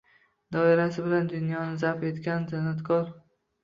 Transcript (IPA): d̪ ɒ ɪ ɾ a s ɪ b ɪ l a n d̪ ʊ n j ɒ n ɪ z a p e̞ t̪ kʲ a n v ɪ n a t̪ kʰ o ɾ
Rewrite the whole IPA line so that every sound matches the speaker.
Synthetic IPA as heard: d̪ ɒ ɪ ɾ a s ɪ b ɪ l a n d̪ ʊ n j ɒ n ɪ z a p e̞ t̪ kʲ a n z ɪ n a t̪ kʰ ɒ ɾ